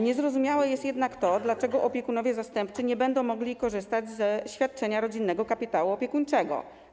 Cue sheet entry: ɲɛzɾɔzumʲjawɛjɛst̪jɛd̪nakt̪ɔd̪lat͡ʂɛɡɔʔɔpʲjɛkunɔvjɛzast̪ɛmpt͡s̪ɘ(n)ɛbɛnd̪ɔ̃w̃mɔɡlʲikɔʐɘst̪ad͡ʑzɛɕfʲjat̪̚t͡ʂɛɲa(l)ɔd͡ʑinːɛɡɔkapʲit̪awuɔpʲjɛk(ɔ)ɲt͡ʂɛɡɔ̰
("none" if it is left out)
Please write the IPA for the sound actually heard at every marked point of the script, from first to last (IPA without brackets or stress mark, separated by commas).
ɲ, ɾ, u